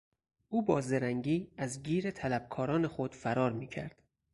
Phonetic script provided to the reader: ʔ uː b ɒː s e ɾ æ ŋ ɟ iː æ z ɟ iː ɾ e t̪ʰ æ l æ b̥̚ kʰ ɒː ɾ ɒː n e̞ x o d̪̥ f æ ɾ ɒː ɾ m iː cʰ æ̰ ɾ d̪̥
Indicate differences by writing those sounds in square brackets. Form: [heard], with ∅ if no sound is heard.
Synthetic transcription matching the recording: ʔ uː b ɒː [z] e ɾ æ ŋ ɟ iː æ z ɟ iː ɾ e t̪ʰ æ l æ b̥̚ kʰ ɒː ɾ ɒː n e̞ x o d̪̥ f æ ɾ ɒː ɾ m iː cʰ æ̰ ɾ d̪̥